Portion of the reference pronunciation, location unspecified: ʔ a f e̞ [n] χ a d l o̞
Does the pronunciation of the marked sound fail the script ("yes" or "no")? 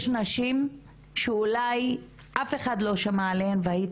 yes